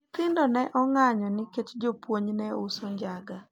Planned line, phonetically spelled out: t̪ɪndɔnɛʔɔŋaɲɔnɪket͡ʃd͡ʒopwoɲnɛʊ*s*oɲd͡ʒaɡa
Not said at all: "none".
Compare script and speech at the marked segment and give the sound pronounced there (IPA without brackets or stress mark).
s